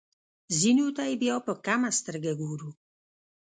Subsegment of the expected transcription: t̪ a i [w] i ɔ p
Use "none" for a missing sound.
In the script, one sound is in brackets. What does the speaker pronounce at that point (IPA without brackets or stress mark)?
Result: b